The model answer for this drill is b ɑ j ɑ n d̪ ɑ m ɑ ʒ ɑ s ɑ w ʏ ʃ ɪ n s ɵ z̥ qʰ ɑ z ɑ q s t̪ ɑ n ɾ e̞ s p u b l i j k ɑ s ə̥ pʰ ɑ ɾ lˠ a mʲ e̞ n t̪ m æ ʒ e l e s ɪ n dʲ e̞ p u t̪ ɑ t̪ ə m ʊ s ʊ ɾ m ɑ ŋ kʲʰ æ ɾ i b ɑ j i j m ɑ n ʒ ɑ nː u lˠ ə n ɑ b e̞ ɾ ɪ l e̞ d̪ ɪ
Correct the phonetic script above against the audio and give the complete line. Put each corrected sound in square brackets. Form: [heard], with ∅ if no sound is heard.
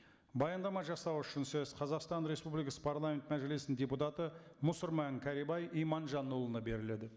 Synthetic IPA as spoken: b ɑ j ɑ n d̪ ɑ m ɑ ʒ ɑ s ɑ w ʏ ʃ ɪ n s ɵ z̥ qʰ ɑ z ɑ q s t̪ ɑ n ɾ e̞ s p u b l i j k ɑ s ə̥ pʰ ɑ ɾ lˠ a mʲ e̞ n t̪ m æ ʒ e l e s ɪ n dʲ e̞ p u t̪ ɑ t̪ ə m ʊ s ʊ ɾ m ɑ ŋ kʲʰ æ ɾ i b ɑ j i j m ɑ n ʒ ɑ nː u lˠ ə n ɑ b e̞ ɾ ɪ l e̞ d̪ ɪ

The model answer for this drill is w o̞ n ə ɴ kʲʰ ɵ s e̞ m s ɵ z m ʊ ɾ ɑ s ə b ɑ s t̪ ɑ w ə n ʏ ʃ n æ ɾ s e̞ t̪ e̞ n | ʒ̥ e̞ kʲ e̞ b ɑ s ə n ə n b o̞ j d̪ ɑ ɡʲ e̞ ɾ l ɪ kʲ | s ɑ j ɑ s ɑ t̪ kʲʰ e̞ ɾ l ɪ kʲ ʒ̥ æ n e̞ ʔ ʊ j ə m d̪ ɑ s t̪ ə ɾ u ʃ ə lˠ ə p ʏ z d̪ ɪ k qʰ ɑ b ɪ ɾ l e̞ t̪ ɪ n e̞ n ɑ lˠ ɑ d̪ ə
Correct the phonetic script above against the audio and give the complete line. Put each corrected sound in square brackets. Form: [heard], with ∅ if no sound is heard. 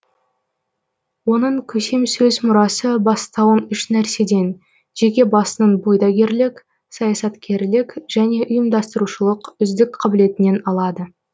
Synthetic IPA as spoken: w o̞ n ə ɴ kʲʰ ɵ s e̞ m s ɵ z m ʊ ɾ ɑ s ə b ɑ s t̪ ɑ w ə n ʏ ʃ n æ ɾ s e̞ [d̪] e̞ n | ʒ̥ e̞ kʲ e̞ b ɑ s ə n ə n b o̞ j d̪ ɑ ɡʲ e̞ ɾ l ɪ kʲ | s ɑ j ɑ s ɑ t̪ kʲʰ e̞ ɾ l ɪ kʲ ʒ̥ æ n e̞ ʔ ʊ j ə m d̪ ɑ s t̪ ə ɾ u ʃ ə lˠ ə [q] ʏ z d̪ ɪ k qʰ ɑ b ɪ [∅] l e̞ t̪ ɪ n e̞ n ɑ lˠ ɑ d̪ ə

